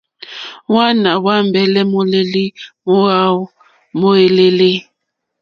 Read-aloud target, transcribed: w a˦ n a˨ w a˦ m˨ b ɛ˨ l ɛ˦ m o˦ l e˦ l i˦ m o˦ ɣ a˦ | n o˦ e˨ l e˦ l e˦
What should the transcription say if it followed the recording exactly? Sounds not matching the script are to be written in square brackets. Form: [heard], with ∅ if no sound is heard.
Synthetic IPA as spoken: w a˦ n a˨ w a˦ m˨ b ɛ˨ l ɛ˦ m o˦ l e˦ l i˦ m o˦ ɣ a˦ | [m] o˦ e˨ l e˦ l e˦